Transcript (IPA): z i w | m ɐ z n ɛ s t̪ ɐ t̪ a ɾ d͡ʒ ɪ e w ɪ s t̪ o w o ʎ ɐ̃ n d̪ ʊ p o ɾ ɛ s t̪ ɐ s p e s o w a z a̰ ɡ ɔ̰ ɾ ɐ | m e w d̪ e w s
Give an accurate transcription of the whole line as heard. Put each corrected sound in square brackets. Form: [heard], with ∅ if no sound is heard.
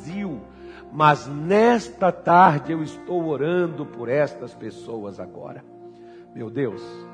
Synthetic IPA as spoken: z i w | m ɐ z n ɛ s t̪ ɐ t̪ a ɾ d͡ʒ ɪ e w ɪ s t̪ o w o [ɾ] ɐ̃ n d̪ ʊ p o ɾ ɛ s t̪ ɐ s p e s o w [ɐ] z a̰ ɡ ɔ̰ ɾ ɐ | m e w d̪ e w s